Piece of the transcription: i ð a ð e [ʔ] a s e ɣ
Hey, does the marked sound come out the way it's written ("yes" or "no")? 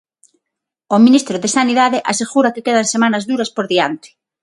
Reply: yes